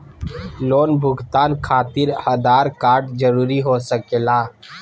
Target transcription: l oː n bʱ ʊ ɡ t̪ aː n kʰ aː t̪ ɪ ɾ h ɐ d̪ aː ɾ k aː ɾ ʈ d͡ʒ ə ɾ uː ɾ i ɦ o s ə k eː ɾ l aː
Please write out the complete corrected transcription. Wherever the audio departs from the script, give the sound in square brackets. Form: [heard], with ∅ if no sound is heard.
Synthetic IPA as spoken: l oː n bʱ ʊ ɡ t̪ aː n kʰ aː t̪ ɪ ɾ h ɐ d̪ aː ɾ k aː ɾ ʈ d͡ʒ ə ɾ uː ɾ i ɦ o s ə k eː [∅] l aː